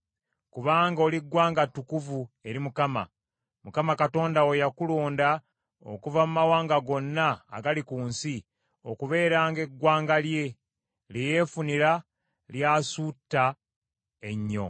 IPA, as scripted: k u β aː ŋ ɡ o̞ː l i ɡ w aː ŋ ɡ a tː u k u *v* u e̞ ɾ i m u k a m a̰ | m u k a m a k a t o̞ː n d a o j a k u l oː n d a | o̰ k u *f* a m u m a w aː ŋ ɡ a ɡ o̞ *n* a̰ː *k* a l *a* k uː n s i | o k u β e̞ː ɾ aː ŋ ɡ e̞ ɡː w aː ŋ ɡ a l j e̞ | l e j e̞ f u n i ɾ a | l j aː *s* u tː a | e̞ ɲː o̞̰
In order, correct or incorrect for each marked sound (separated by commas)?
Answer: correct, incorrect, incorrect, incorrect, incorrect, correct